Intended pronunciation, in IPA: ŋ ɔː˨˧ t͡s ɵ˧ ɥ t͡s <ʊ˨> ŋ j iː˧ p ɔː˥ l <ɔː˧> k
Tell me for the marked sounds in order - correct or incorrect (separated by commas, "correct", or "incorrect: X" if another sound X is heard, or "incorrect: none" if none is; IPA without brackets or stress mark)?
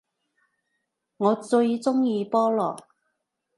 incorrect: ʊ˥, incorrect: ɔː˨˩